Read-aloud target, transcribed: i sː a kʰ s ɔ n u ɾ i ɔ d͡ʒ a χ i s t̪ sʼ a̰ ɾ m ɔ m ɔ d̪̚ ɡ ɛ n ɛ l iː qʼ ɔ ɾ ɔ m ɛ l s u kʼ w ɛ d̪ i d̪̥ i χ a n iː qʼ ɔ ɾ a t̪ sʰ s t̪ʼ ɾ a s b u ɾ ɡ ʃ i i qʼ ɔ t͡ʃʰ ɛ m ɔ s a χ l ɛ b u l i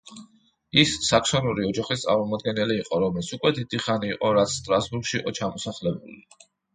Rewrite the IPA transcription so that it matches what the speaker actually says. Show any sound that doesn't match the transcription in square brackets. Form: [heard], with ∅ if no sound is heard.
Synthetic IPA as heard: i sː a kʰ s ɔ n u ɾ i ɔ d͡ʒ a χ i s t̪ sʼ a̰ ɾ m ɔ m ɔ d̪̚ ɡ ɛ n ɛ l iː qʼ ɔ ɾ ɔ m ɛ l s u kʼ w ɛ d̪ i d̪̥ i χ a n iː qʼ ɔ ɾ a t̪ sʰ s t̪ʼ ɾ a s b u ɾ ɡ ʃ i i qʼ ɔ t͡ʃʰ [a] m ɔ s a χ l ɛ b u l i